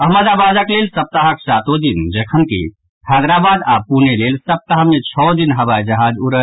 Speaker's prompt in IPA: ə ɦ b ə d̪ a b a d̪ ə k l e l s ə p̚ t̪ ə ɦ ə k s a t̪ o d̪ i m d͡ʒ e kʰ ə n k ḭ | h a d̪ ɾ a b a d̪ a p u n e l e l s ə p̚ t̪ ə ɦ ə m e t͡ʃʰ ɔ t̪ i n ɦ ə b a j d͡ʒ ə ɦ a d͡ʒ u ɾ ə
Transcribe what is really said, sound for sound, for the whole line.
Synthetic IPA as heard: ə ɦ m ə d̪ a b a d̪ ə k l e l s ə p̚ t̪ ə ɦ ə k s a t̪ o d̪ i n d͡ʒ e kʰ ə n k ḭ | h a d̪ ɾ a b a d̪ a p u n e l e l s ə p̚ t̪ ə ɦ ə m e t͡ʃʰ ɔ d̪ i n ɦ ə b a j d͡ʒ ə ɦ a d͡ʒ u ɾ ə